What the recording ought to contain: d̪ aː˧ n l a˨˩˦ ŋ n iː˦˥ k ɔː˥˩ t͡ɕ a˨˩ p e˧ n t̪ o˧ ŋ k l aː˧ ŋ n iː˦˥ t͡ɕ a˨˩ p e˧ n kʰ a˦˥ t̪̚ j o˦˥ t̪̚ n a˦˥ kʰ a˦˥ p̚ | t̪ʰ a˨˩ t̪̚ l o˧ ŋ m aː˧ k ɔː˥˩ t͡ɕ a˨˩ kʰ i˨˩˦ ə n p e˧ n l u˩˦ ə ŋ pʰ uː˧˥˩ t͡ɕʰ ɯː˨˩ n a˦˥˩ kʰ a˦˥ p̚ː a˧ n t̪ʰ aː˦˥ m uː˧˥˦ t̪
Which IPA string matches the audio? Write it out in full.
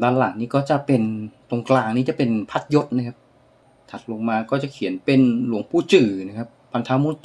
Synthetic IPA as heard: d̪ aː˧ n l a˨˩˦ ŋ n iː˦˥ k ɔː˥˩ t͡ɕ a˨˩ p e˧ n t̪ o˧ ŋ k l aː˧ ŋ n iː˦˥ t͡ɕ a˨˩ p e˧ n pʰ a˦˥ t̪̚ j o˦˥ t̪̚ n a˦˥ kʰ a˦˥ p̚ | t̪ʰ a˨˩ t̪̚ l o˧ ŋ m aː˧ k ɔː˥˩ t͡ɕ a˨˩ kʰ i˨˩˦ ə n p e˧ n l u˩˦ ə ŋ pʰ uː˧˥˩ t͡ɕ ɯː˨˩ n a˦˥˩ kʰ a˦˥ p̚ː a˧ n t̪ʰ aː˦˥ m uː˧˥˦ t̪